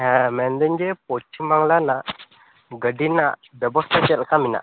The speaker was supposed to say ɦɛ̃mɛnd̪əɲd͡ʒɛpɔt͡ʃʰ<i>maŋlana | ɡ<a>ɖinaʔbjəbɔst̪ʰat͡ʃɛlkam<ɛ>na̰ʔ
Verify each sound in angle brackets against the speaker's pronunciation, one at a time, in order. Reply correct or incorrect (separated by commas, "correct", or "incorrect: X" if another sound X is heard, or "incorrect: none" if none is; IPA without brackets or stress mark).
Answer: correct, incorrect: ə, incorrect: i